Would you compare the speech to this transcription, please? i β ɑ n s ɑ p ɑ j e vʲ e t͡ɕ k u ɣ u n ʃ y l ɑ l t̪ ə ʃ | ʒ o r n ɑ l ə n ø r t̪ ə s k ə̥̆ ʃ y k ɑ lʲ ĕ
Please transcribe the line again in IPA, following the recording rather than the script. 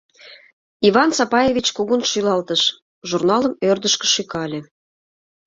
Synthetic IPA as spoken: i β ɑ n s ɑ p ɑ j e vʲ i t͡ɕ k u ɣ u n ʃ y l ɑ l t̪ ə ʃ | ʒ u r n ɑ l ə m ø r d̪ ə ʃ k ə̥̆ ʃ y k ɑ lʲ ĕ

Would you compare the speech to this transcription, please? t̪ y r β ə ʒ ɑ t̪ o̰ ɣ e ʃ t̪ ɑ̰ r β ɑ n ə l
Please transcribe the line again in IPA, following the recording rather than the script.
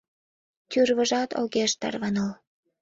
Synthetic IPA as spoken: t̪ y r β ə ʒ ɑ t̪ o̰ ɣ e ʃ t̪ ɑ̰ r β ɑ n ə l

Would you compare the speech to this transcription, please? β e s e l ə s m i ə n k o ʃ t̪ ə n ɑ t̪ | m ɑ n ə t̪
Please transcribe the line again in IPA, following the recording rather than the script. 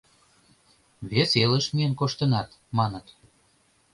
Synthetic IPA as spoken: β e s e l ə ʃ m i ə n k o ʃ t̪ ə n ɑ t̪ | m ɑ n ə t̪

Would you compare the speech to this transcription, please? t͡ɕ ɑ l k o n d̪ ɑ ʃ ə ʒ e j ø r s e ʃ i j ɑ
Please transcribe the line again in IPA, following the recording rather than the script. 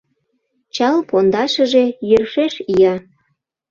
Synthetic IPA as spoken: t͡ɕ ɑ l p o n d̪ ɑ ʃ ə ʒ e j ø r ʃ e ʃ i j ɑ

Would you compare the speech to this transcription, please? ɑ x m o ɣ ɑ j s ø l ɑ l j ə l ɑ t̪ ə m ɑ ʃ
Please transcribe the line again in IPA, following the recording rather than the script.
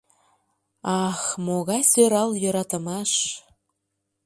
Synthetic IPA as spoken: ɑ x m o ɣ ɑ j s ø ɾ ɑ l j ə ɾ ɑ t̪ ə m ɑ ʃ

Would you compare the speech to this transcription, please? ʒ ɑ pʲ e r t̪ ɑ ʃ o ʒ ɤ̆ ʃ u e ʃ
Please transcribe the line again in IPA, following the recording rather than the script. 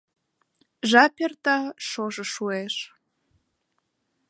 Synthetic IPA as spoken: ʒ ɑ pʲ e r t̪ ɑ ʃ o ʒ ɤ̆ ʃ u e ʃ

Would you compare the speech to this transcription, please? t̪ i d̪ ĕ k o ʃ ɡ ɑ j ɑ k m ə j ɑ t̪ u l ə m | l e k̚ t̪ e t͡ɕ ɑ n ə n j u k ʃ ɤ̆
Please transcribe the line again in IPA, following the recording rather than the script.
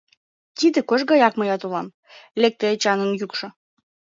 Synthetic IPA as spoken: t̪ i d̪ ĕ k o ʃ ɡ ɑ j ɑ k m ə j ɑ t̪ u l ɑ m | l e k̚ t̪ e t͡ɕ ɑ n ə n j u k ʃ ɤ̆

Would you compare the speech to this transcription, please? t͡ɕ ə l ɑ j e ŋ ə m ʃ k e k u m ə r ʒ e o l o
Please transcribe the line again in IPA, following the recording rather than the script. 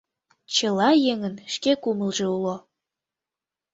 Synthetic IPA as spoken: t͡ɕ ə l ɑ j e ŋ ə n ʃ k e k u m ə l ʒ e u l o

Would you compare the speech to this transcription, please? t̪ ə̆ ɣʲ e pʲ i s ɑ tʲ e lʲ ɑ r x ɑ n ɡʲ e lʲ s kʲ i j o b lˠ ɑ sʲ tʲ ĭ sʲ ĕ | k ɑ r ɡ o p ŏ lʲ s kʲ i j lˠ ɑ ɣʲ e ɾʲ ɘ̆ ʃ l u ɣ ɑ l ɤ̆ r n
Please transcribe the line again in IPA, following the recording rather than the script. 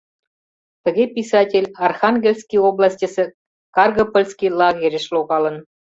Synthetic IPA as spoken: t̪ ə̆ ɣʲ e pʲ i s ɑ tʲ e lʲ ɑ r x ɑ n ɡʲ e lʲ s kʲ i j o b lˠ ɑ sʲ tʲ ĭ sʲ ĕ | k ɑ r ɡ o p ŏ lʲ s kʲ i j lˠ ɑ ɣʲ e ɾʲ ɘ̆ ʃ l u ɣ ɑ l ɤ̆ n

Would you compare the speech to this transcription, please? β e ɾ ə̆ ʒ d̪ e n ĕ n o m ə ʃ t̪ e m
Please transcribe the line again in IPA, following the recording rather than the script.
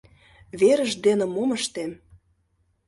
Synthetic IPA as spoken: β e ɾ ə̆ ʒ d̪ e n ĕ m o m ə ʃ t̪ e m

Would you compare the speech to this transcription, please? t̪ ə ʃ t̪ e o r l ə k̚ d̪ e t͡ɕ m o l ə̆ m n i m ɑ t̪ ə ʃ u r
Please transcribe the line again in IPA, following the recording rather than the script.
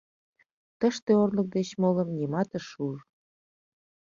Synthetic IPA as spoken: t̪ ə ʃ t̪ e o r l ə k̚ d̪ e t͡ɕ m o l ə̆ m n i m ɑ t̪ ə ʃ u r

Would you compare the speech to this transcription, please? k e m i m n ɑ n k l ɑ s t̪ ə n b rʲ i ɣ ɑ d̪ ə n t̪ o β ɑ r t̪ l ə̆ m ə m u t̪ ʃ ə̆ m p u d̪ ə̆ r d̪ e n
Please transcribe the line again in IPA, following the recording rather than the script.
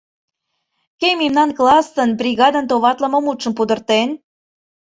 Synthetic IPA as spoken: k e m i m n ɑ n k l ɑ s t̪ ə n b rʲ i ɣ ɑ d̪ ə n t̪ o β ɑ t̪ l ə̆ m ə m u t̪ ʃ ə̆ m p u d̪ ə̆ r t̪ e n

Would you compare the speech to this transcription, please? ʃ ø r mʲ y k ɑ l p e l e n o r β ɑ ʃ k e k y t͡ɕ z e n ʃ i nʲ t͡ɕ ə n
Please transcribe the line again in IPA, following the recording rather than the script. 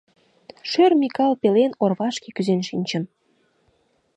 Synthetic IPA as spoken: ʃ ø r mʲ i k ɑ l p e l e n o r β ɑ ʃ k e k y z e n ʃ i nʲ t͡ɕ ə n

